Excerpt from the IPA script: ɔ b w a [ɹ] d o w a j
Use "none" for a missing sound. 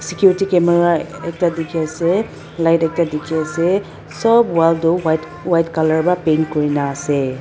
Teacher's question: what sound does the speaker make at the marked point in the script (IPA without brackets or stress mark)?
l